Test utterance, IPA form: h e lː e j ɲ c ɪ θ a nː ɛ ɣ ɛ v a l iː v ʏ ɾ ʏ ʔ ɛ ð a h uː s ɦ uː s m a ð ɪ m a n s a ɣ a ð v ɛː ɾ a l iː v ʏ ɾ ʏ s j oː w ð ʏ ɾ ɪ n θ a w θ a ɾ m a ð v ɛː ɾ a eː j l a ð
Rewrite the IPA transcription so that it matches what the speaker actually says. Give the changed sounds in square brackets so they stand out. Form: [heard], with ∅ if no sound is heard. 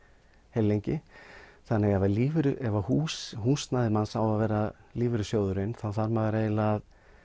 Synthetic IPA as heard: h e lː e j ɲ c ɪ θ a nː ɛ ɣ ɛ v a l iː v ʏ ɾ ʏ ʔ ɛ [v] a h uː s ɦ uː s [n] a ð ɪ m a n s a [w] a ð v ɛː ɾ a l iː v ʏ ɾ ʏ s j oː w ð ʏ ɾ ɪ n θ a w θ a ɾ m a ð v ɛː ɾ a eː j l a ð